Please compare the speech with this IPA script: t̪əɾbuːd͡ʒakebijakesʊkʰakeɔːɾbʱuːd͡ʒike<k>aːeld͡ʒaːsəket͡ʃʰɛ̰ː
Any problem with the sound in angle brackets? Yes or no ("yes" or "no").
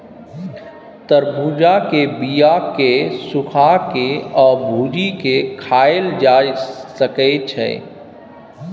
yes